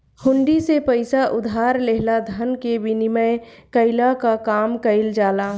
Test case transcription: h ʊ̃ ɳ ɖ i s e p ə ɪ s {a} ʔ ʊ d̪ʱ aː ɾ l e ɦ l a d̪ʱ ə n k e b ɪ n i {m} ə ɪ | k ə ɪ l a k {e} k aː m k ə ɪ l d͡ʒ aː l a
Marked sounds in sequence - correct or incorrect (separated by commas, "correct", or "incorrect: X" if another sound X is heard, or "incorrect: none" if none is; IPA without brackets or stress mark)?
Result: correct, correct, incorrect: a